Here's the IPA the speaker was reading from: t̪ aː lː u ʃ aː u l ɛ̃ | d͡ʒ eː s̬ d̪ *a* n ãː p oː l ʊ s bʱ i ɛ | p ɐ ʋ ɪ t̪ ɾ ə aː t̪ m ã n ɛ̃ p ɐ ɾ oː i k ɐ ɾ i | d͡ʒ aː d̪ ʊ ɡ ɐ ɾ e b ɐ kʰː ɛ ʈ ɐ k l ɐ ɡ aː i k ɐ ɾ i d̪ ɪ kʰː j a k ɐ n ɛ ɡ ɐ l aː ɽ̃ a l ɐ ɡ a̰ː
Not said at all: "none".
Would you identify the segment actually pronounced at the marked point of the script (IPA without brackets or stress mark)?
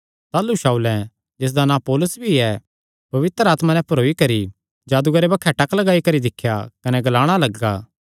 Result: a